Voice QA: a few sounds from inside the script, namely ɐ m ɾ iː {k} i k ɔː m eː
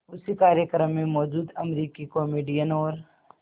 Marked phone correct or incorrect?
correct